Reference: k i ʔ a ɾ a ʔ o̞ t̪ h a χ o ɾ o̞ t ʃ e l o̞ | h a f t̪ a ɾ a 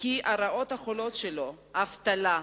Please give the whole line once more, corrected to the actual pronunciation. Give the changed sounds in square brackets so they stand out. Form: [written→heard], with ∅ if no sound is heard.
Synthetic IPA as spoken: k i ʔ a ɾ a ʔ o̞ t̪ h a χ o [ɾ→l] o̞ t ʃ e l o̞ | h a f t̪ a [ɾ→l] a